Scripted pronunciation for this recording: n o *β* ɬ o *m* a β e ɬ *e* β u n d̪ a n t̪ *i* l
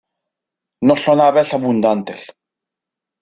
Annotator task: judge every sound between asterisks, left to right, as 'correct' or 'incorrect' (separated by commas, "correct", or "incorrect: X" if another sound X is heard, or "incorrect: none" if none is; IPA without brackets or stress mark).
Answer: incorrect: none, incorrect: n, incorrect: a, incorrect: e